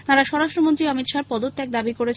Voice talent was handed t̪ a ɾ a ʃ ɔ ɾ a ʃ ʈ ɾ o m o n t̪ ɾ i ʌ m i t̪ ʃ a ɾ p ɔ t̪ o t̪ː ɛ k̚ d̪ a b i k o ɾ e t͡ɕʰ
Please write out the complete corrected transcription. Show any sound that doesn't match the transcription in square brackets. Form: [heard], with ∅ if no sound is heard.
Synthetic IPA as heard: t̪ a ɾ a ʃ ɔ ɾ a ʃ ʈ ɾ o m o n t̪ ɾ i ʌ m i t̪ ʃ a ɾ p ɔ [d̪] o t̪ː ɛ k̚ d̪ a b i k o ɾ e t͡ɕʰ